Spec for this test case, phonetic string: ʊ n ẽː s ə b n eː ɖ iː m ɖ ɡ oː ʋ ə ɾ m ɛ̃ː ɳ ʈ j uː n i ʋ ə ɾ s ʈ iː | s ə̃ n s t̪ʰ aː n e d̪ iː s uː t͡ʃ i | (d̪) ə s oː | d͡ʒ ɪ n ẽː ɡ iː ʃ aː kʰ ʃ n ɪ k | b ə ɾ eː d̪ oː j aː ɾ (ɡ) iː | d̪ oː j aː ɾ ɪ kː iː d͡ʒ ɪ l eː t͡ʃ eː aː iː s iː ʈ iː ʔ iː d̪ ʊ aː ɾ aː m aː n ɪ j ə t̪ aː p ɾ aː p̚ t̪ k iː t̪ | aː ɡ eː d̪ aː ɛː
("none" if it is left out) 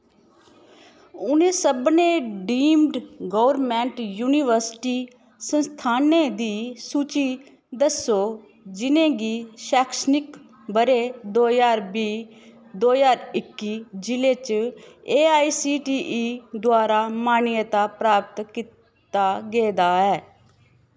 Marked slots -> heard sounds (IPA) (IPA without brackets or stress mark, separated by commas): d̪, b